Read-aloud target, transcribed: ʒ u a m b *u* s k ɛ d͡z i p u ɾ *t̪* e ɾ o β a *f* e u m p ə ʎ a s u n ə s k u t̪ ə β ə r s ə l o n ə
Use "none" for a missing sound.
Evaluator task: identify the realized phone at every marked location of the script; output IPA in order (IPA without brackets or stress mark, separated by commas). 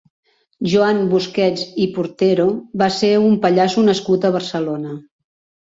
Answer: u, t̪, s